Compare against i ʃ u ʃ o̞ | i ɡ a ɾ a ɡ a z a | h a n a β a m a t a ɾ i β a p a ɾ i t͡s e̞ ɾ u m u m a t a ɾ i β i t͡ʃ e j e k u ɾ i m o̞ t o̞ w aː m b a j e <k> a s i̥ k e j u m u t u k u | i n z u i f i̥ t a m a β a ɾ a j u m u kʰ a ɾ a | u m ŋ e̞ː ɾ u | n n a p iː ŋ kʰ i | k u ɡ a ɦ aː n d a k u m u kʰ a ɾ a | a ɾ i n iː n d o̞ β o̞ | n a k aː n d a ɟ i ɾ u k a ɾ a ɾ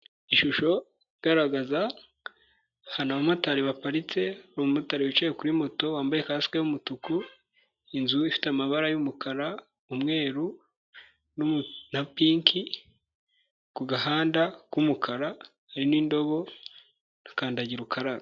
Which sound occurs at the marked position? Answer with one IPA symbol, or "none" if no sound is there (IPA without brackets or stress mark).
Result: k